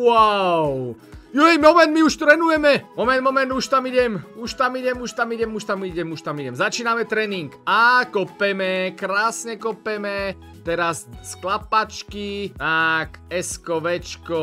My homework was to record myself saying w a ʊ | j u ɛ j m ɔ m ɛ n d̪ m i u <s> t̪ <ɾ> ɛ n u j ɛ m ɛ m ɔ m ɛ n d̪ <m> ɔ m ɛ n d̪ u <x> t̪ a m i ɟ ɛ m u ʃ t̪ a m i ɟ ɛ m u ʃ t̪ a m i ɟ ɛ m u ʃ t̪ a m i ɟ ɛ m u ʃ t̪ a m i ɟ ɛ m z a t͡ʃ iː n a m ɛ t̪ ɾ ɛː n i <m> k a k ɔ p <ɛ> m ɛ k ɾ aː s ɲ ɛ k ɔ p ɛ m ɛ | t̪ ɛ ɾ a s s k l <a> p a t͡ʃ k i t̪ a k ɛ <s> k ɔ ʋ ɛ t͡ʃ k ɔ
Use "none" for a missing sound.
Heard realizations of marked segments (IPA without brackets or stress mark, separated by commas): ʃ, ɾ, m, ʃ, ŋ, ɛ, a, s